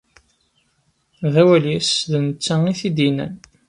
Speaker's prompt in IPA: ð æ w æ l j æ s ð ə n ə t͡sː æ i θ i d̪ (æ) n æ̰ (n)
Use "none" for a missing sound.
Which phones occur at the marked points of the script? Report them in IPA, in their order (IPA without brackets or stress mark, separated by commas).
i, n